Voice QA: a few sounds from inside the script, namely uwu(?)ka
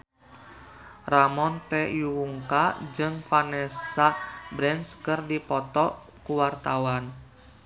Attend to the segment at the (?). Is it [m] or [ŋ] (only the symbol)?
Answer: ŋ